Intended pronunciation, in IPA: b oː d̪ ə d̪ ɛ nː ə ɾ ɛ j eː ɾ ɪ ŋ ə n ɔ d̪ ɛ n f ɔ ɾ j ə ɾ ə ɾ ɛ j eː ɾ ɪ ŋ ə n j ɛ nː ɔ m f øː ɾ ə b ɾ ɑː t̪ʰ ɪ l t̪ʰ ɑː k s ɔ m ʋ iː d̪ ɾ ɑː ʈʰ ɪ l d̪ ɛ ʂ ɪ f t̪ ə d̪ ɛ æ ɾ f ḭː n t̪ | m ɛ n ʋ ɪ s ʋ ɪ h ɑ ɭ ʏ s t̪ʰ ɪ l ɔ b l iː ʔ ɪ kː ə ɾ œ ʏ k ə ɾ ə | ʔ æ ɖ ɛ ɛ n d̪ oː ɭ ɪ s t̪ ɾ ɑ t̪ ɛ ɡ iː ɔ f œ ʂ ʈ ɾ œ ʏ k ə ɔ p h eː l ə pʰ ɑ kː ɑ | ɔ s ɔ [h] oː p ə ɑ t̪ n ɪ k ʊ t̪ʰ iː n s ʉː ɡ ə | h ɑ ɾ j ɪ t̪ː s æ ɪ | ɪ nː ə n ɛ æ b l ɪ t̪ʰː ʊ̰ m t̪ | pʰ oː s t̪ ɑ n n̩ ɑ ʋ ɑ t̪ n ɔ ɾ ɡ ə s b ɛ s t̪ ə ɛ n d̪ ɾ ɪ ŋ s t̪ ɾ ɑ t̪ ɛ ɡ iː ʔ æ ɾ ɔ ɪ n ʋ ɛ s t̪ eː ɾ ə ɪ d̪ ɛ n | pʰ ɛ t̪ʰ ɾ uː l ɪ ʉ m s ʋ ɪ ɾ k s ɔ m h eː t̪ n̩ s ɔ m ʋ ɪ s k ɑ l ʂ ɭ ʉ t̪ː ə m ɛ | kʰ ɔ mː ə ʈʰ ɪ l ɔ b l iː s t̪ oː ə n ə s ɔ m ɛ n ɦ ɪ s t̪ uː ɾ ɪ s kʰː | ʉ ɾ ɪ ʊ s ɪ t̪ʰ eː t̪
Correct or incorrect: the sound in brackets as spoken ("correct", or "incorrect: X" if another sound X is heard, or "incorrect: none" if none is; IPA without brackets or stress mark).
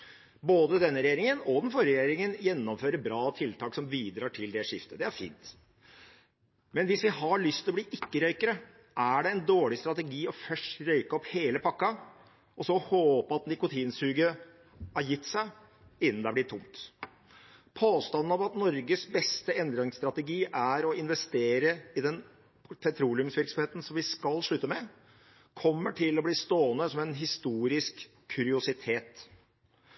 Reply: correct